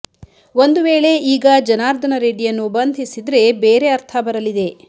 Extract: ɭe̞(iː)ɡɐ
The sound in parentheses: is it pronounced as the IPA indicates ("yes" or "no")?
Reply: yes